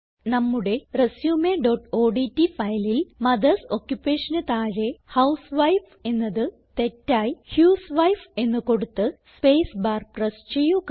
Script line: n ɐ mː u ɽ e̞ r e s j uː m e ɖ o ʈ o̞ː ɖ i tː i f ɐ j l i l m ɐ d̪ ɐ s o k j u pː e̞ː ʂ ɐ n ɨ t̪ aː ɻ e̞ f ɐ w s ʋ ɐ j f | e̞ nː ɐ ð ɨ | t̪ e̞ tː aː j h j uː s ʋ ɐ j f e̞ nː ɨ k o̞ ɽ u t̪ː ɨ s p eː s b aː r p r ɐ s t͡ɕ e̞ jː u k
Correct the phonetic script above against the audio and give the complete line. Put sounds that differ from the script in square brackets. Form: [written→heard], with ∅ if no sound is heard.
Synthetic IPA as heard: n ɐ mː u ɽ e̞ r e s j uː m e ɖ o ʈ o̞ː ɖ i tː i f ɐ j l i l m ɐ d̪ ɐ s o k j u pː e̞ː ʂ ɐ n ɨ t̪ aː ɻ e̞ [f→h] ɐ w s ʋ ɐ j f | e̞ nː ɐ ð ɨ | t̪ e̞ tː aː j h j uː s ʋ ɐ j f e̞ nː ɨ k o̞ ɽ u t̪ː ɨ s p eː s b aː r p r ɐ s t͡ɕ e̞ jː u k